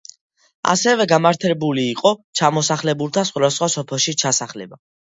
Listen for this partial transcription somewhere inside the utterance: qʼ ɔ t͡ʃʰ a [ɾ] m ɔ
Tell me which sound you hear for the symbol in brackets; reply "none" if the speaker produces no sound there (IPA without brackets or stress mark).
none